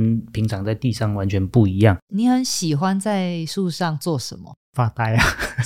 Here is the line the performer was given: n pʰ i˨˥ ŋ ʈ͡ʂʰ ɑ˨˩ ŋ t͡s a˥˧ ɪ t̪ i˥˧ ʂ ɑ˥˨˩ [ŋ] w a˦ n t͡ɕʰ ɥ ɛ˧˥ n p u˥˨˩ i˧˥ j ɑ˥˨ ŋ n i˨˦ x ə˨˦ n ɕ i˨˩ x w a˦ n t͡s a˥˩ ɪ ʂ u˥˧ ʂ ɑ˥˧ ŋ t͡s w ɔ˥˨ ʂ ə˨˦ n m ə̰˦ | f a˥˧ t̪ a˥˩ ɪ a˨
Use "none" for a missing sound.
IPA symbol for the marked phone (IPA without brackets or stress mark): ŋ